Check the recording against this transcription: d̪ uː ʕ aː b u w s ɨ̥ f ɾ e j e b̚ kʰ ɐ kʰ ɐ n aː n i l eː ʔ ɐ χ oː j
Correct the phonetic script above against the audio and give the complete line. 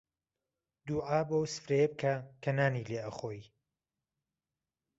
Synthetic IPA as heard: d̪ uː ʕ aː b o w s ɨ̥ f ɾ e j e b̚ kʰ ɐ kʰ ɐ n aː n i l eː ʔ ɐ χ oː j